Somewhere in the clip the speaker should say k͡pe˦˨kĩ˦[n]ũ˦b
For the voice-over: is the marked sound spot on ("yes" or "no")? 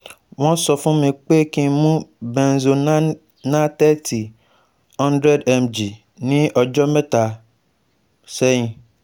no